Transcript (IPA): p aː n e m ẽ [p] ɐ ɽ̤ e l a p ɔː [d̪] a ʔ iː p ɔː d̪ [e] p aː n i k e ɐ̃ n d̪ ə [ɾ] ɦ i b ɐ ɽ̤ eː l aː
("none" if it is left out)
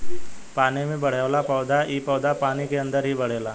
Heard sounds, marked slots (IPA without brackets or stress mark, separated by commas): b, d̪, a, ɾ